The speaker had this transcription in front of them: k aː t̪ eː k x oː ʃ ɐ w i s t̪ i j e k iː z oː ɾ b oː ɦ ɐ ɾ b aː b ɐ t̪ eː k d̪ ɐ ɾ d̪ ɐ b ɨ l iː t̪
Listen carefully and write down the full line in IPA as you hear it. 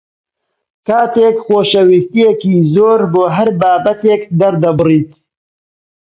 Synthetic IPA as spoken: k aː t̪ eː k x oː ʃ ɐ w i s t̪ i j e k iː z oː ɾ b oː ɦ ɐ ɾ b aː b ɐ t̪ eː k d̪ ɐ ɾ d̪ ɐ b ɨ r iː t̪